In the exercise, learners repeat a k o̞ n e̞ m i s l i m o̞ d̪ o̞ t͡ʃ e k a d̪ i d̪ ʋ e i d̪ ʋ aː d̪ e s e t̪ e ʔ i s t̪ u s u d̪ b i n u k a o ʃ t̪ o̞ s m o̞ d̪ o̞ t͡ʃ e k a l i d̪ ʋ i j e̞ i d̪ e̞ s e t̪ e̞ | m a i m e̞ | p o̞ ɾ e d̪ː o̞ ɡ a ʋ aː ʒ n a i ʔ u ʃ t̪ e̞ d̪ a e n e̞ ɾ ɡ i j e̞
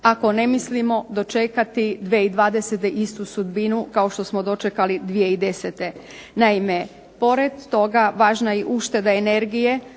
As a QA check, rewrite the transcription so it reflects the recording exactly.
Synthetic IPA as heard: a k o̞ n e̞ m i s l i m o̞ d̪ o̞ t͡ʃ e k a t̪ i d̪ ʋ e i d̪ ʋ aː d̪ e s e t̪ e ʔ i s t̪ u s u d̪ b i n u k a o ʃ t̪ o̞ s m o̞ d̪ o̞ t͡ʃ e k a l i d̪ ʋ i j e̞ i d̪ e̞ s e t̪ e̞ | n a i m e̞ | p o̞ ɾ e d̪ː o̞ ɡ a ʋ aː ʒ n a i ʔ u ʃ t̪ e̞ d̪ a e n e̞ ɾ ɡ i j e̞

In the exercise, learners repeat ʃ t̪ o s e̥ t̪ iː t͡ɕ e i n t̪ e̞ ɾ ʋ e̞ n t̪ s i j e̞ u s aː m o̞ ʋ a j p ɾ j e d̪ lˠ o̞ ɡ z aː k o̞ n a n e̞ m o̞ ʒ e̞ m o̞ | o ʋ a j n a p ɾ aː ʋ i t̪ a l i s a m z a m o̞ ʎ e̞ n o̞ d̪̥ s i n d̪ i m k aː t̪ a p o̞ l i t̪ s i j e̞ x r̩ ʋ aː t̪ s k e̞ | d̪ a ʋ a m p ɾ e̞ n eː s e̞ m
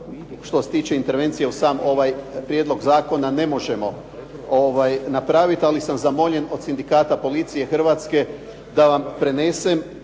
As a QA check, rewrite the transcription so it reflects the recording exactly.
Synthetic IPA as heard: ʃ t̪ o s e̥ t̪ iː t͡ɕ e i n t̪ e̞ ɾ ʋ e̞ n t̪ s i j e̞ u s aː m o̞ ʋ a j p ɾ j e d̪ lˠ o̞ ɡ z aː k o̞ n a n e̞ m o̞ ʒ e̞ m o̞ | o ʋ a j n a p ɾ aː ʋ i t̪ a l i s a m z a m o̞ ʎ e̞ n o̞ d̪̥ s i n d̪ i k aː t̪ a p o̞ l i t̪ s i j e̞ x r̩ ʋ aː t̪ s k e̞ | d̪ a ʋ a m p ɾ e̞ n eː s e̞ m

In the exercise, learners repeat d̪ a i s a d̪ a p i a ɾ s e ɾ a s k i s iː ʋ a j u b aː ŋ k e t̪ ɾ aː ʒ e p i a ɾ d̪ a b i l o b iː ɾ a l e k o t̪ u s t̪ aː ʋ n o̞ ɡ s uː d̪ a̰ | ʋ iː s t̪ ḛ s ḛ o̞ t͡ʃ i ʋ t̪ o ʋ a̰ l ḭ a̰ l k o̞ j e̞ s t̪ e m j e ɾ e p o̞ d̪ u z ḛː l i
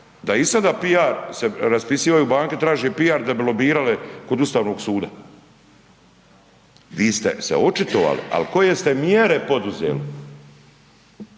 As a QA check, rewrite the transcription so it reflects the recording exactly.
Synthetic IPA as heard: d̪ a i s a d̪ a p i a ɾ s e ɾ a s p i s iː ʋ a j u b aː ŋ k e t̪ ɾ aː ʒ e p i a ɾ d̪ a b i l o b iː ɾ a l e k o d̪ u s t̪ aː ʋ n o̞ ɡ s uː d̪ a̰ | ʋ iː s t̪ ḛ s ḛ o̞ t͡ʃ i t̪ o ʋ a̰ l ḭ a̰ l k o̞ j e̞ s t̪ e m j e ɾ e p o̞ d̪ u z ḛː l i

